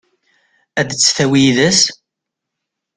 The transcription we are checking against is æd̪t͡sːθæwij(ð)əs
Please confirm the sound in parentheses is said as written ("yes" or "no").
yes